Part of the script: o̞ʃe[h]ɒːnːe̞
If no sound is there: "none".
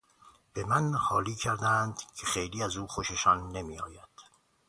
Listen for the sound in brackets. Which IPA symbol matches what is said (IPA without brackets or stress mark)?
ʃ